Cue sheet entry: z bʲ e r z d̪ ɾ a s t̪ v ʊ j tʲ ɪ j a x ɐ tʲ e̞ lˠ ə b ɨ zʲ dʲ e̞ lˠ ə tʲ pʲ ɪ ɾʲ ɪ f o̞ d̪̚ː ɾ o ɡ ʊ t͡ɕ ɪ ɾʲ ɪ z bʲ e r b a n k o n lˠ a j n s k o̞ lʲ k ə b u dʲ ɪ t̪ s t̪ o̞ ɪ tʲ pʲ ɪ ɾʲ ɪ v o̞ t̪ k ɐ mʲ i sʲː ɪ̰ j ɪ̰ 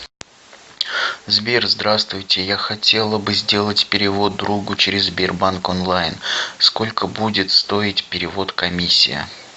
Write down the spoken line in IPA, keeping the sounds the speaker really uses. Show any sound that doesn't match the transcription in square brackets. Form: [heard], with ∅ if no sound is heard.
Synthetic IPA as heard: z bʲ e r z d̪ ɾ a s t̪ v ʊ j tʲ ɪ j a x ɐ tʲ e̞ lˠ ə b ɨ zʲ dʲ e̞ lˠ ə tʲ pʲ ɪ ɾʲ ɪ [v] o̞ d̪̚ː ɾ [u] ɡ ʊ t͡ɕ ɪ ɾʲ ɪ z bʲ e r b a n k o n lˠ a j n s k o̞ lʲ k ə b u dʲ ɪ t̪ s t̪ o̞ ɪ tʲ pʲ ɪ ɾʲ ɪ v o̞ t̪ k ɐ mʲ i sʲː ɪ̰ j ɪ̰